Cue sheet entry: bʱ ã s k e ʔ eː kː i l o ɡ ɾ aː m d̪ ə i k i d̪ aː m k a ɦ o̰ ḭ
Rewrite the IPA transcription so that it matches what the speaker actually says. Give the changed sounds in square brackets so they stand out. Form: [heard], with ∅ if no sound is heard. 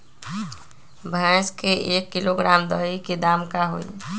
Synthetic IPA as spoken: bʱ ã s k e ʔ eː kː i l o ɡ ɾ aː m d̪ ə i k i d̪ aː m k a ɦ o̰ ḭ